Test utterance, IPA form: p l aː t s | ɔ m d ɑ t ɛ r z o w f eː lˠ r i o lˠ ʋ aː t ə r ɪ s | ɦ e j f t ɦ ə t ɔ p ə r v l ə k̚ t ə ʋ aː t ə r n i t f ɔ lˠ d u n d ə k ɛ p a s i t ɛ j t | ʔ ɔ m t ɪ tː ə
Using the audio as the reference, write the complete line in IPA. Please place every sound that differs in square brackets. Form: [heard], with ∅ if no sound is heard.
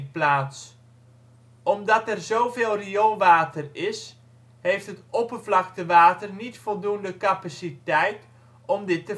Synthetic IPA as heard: p l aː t s | ɔ m d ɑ t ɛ r z o w [v] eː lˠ r i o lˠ ʋ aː t ə r ɪ s | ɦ e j f t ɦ ə t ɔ p ə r v l [ɑ] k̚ t ə ʋ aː t ə r n i t f ɔ lˠ d u n d ə k [a] p a s i t ɛ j t | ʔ ɔ m [d] ɪ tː ə